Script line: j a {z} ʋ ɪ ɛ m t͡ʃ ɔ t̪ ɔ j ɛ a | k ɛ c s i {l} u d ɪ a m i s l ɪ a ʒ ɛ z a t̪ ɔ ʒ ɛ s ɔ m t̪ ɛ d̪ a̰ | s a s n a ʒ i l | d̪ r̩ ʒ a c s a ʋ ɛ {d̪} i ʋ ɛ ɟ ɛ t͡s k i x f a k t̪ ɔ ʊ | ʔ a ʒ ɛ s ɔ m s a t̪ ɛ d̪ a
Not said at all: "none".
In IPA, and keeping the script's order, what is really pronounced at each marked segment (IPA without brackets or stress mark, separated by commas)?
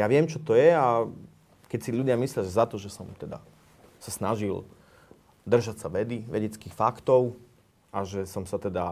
none, ʎ, d̪